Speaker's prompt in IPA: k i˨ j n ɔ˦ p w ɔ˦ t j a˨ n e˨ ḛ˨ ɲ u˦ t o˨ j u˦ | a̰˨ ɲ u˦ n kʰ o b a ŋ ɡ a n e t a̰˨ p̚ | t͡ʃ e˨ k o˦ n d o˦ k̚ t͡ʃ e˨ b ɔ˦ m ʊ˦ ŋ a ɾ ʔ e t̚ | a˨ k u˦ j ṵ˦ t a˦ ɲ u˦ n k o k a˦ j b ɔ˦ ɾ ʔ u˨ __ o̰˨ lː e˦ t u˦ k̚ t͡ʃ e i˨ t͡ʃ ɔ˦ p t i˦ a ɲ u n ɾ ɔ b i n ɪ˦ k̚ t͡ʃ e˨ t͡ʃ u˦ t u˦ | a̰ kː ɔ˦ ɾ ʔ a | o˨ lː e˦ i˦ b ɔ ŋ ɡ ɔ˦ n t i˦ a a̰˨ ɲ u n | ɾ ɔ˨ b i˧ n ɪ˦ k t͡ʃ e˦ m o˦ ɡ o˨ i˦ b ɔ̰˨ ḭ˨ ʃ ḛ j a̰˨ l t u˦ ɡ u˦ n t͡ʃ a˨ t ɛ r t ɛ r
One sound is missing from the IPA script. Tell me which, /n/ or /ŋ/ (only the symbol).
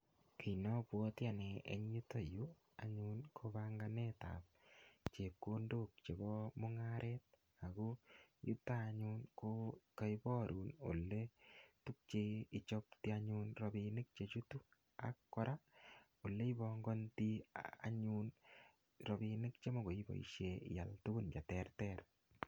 n